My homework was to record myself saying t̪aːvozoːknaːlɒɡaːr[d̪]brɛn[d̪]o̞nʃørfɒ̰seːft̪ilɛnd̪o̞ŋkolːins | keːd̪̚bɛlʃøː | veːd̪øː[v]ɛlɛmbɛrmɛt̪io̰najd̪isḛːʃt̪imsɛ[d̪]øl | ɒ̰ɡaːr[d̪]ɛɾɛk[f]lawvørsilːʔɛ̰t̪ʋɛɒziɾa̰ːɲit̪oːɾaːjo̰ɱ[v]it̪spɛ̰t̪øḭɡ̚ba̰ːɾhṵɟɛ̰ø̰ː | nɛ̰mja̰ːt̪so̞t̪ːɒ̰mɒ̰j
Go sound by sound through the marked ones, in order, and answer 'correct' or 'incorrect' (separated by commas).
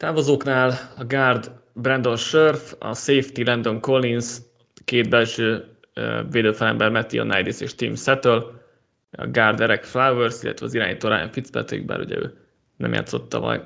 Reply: correct, correct, incorrect, incorrect, correct, correct, incorrect